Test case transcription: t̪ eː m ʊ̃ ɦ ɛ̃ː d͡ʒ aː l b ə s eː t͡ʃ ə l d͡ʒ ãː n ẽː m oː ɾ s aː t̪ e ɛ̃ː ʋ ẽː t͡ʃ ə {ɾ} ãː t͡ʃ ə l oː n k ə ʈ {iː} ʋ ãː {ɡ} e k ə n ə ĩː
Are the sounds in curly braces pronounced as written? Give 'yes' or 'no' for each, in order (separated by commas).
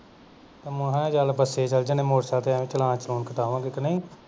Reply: no, no, yes